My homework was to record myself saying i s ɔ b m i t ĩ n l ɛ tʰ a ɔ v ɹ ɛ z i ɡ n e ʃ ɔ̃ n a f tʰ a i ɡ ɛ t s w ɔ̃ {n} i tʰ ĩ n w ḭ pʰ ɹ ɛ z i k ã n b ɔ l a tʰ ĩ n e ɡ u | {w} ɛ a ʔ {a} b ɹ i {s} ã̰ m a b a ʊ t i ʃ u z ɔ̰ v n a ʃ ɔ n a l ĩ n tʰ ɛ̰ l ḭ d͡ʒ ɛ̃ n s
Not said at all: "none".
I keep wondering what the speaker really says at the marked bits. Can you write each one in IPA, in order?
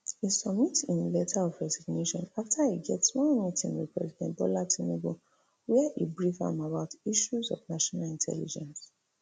m, w, i, f

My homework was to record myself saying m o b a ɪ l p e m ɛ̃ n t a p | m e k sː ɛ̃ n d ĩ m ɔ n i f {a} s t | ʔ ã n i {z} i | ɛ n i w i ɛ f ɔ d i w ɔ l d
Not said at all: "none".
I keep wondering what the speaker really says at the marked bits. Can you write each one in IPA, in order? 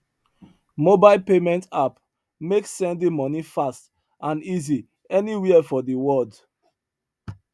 a, z

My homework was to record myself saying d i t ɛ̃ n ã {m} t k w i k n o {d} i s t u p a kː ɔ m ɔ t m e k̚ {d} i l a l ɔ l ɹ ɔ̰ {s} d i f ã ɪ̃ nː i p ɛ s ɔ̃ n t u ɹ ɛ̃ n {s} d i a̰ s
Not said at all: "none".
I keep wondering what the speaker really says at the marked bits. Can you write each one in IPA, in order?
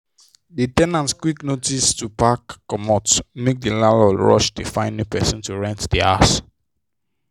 n, t, d, ʃ, t

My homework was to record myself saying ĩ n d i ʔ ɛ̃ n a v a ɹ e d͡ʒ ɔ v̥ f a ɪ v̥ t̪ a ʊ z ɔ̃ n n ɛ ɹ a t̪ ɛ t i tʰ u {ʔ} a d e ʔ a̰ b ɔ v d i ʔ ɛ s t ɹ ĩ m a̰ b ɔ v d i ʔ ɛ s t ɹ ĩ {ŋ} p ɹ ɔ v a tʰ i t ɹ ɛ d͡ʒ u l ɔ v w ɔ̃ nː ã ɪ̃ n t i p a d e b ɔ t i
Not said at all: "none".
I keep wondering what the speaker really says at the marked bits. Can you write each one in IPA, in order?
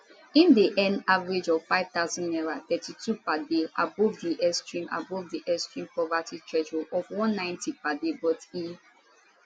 p, m

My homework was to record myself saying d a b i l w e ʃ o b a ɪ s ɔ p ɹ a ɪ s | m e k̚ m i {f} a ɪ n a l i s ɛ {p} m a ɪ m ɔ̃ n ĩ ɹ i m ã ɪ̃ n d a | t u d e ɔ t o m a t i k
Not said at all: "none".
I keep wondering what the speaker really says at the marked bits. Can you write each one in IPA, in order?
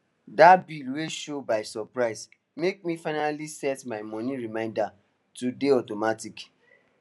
f, t

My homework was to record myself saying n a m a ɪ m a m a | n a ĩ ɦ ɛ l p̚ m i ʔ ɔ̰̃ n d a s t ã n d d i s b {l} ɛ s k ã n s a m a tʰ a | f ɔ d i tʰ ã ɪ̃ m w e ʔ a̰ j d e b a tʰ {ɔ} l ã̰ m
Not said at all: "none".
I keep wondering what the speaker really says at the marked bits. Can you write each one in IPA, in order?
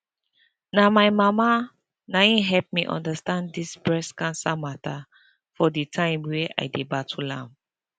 ɹ, u

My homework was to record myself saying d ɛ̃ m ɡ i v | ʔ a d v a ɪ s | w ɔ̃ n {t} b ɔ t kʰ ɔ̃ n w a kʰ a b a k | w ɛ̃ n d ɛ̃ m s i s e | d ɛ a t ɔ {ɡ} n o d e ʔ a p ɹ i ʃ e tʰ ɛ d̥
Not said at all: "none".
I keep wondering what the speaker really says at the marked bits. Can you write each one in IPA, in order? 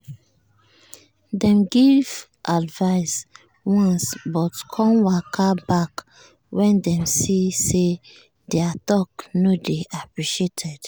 s, k

